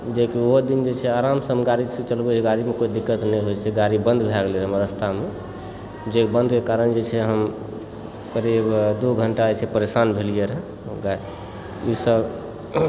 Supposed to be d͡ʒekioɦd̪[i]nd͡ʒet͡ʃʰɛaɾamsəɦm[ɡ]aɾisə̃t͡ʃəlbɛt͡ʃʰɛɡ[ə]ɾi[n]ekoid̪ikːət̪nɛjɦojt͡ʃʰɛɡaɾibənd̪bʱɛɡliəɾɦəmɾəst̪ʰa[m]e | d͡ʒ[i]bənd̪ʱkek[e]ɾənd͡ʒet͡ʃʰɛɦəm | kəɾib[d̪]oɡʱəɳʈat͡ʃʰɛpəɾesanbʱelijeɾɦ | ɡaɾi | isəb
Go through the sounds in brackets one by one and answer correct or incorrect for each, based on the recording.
correct, correct, incorrect: a, incorrect: m, correct, incorrect: e, incorrect: a, correct

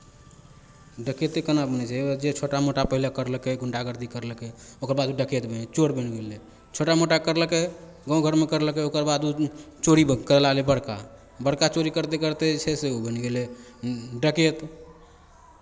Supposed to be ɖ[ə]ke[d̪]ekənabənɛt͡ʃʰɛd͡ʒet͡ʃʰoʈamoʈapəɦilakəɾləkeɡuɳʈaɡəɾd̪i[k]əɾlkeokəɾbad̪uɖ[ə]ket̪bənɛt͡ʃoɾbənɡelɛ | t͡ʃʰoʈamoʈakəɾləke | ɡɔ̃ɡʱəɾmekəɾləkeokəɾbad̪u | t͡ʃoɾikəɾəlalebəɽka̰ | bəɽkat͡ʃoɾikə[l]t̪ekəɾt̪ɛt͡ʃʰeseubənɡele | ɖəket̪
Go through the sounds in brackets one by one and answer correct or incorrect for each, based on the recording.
correct, incorrect: t̪, correct, correct, incorrect: ɾ

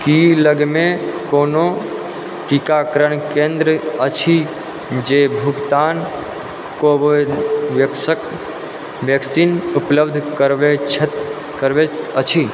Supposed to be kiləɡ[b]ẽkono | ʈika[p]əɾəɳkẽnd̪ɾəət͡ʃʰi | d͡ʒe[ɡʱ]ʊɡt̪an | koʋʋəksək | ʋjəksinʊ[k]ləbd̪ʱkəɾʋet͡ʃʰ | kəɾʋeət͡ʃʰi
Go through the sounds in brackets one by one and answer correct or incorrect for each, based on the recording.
incorrect: m, incorrect: k, incorrect: bʱ, incorrect: p

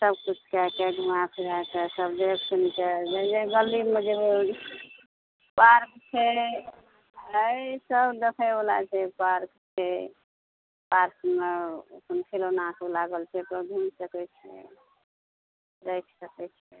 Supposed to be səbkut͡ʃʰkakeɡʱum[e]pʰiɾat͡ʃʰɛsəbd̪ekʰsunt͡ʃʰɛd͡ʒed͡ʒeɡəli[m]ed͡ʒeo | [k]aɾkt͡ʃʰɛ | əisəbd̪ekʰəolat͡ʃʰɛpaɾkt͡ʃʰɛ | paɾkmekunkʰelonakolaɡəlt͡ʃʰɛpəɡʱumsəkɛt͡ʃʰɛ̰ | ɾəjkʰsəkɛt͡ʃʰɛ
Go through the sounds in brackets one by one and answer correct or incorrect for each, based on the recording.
incorrect: a, correct, incorrect: p

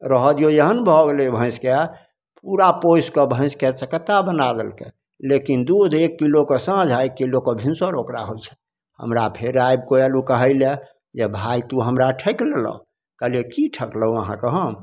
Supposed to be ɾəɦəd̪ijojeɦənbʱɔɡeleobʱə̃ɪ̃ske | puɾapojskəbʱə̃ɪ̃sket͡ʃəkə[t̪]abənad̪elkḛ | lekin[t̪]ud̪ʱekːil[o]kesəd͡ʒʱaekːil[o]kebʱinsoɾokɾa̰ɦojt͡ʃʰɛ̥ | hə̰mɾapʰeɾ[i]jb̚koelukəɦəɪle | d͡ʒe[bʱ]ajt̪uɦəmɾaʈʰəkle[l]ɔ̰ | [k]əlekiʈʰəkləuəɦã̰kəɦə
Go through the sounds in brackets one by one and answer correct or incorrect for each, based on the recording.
correct, incorrect: d̪, correct, correct, incorrect: a, correct, correct, correct

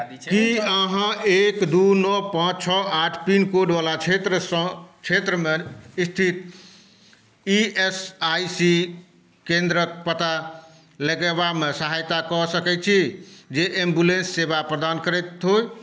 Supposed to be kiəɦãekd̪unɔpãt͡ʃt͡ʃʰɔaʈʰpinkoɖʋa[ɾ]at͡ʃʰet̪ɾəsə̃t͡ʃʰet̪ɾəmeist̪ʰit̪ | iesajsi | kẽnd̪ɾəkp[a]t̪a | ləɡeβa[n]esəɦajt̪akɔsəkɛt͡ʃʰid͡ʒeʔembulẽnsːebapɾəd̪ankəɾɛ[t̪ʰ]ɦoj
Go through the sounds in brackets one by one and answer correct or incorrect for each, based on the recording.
incorrect: l, incorrect: ə, incorrect: m, incorrect: t̪

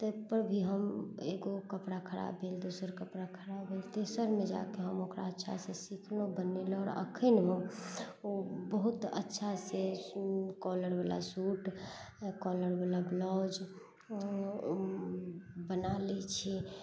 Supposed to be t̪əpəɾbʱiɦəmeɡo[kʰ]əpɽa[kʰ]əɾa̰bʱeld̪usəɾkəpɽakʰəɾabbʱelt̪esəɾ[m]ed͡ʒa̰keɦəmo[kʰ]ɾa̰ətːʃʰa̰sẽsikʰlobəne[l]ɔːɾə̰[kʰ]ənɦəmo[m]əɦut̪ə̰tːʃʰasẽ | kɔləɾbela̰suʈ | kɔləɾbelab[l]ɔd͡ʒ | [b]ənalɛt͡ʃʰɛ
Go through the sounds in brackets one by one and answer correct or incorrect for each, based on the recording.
incorrect: k, correct, correct, incorrect: k, correct, correct, incorrect: b, correct, correct

